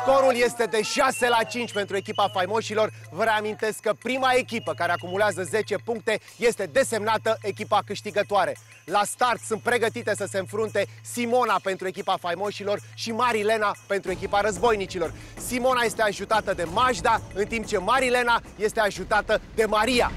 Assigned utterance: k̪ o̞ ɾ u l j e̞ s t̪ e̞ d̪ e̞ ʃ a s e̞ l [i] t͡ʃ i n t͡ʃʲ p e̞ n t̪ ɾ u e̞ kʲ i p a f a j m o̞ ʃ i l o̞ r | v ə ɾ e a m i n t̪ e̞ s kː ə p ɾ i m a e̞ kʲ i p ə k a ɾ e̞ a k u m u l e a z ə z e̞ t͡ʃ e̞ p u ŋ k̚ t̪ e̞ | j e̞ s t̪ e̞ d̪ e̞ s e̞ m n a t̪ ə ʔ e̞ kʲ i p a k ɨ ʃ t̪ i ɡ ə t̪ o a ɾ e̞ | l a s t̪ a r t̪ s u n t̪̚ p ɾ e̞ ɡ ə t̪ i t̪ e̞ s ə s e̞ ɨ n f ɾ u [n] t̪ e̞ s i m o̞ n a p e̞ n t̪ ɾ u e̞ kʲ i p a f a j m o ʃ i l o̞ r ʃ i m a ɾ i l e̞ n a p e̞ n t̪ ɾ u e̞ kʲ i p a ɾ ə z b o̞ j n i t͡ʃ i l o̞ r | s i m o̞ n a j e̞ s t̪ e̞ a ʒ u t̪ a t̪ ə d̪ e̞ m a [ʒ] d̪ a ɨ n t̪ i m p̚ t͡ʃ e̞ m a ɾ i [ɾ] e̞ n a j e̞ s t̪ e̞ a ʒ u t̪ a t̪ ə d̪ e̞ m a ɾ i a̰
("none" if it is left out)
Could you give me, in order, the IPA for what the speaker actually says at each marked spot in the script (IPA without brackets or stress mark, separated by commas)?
a, n, ʒ, l